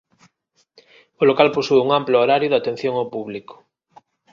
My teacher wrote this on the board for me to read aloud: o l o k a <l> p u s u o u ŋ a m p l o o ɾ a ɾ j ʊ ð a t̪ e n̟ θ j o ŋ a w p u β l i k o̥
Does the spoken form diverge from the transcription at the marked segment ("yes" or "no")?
no